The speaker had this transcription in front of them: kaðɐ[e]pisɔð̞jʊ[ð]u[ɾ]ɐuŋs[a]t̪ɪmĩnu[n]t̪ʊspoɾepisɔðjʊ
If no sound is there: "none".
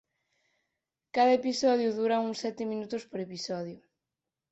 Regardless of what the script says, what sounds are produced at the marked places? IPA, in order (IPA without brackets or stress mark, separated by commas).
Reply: e, ð, ɾ, ɛ, none